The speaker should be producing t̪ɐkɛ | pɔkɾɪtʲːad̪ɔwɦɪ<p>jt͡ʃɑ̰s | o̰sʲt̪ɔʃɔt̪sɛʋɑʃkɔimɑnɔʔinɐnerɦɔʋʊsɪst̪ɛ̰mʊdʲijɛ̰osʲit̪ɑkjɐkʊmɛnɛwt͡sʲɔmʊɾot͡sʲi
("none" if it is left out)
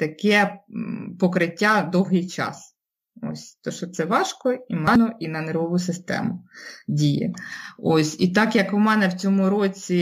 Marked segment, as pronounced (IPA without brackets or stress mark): none